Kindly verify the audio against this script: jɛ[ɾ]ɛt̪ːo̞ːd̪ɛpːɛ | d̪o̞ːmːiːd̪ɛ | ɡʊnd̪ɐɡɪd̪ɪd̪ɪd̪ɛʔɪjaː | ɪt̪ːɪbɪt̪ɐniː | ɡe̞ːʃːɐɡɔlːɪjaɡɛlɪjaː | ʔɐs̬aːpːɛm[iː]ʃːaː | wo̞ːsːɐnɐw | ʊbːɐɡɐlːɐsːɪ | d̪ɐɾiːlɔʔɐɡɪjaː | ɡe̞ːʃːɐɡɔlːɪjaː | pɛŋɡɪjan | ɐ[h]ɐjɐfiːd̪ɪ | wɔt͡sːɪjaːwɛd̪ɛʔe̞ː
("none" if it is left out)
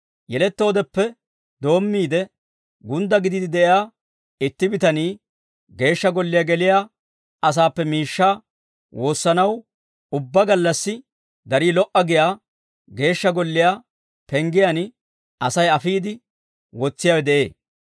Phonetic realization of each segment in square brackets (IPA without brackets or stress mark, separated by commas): l, iː, s